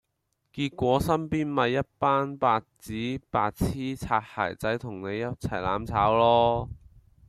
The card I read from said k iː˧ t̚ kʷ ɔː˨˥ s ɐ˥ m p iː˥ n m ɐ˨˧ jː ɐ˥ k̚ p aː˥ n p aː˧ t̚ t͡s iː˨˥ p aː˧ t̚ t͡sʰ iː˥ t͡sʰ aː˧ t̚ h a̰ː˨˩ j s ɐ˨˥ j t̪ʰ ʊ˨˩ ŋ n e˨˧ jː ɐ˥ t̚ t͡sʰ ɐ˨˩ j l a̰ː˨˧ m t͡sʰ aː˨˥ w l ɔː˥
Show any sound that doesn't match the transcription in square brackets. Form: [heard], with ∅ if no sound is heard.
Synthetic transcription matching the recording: k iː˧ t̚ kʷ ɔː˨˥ s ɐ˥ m p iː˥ n m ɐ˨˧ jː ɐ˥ [t̚] p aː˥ n p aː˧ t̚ t͡s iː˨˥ p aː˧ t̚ t͡sʰ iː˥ t͡sʰ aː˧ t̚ h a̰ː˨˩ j [t͡s] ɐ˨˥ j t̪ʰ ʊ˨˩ ŋ n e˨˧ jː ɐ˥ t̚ t͡sʰ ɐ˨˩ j l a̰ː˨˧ m t͡sʰ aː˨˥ w l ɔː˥